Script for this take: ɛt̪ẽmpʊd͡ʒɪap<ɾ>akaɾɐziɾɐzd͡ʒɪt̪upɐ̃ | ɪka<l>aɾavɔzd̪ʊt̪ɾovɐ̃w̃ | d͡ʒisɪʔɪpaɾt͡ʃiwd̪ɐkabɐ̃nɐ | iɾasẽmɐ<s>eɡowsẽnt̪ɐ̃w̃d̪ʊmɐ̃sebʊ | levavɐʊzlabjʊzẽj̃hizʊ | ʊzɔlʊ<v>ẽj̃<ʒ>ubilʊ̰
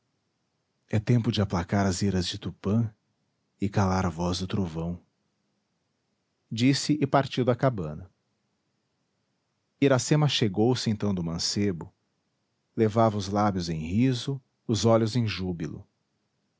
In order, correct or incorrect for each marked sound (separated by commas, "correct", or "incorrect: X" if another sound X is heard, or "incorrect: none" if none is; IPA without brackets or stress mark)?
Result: incorrect: l, correct, incorrect: ʃ, incorrect: z, correct